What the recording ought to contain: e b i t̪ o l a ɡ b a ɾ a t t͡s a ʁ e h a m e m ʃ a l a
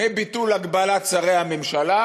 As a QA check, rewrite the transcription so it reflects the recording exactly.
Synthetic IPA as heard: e b i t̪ u l a ɡ b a l a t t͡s a ʁ e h a m e m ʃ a l a